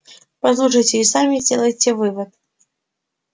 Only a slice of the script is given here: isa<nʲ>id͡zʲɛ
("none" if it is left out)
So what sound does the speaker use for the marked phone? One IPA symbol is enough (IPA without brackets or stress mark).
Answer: mʲ